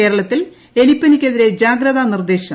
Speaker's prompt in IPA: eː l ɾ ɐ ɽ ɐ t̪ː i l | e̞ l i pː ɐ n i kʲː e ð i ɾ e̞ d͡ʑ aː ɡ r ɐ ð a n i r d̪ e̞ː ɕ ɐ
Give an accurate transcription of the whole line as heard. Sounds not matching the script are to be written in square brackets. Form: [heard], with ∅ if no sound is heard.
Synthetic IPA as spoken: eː [∅] ɾ ɐ [ɭ] ɐ t̪ː i l | e̞ l i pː ɐ n i kʲː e ð i ɾ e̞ d͡ʑ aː ɡ [ɾ] ɐ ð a n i r d̪ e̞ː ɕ ɐ